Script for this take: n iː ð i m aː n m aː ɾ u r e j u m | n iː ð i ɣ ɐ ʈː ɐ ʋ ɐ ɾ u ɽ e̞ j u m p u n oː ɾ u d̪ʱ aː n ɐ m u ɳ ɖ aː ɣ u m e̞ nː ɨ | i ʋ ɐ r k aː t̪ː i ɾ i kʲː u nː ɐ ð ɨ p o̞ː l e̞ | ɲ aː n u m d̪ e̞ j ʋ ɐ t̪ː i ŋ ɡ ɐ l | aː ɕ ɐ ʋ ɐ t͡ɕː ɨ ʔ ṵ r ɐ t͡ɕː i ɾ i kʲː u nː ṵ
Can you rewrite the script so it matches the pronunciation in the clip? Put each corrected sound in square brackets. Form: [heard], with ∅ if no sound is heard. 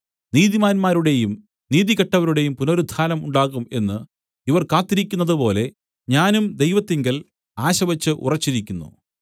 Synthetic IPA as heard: n iː ð i m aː n m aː ɾ u [ɽ] e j u m | n iː ð i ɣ ɐ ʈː ɐ ʋ ɐ ɾ u ɽ e̞ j u m p u n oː ɾ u d̪ʱ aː n ɐ m u ɳ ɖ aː ɣ u m e̞ nː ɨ | i ʋ ɐ r k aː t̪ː i ɾ i kʲː u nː ɐ ð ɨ p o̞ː l e̞ | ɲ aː n u m d̪ e̞ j ʋ ɐ t̪ː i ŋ ɡ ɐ l | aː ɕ ɐ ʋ ɐ t͡ɕː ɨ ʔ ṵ r ɐ t͡ɕː i ɾ i kʲː u nː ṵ